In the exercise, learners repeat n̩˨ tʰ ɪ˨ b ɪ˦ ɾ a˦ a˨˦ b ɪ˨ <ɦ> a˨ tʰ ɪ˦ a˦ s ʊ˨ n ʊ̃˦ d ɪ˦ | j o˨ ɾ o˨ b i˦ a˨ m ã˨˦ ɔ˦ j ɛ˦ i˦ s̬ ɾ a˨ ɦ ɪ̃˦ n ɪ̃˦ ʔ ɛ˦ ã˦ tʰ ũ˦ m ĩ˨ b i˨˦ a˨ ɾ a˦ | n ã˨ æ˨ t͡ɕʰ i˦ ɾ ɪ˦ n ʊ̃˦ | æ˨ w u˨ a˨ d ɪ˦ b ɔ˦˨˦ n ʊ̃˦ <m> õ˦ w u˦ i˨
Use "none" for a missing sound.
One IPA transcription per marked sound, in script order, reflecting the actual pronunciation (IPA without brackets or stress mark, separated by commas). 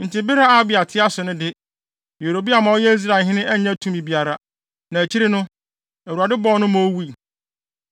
none, m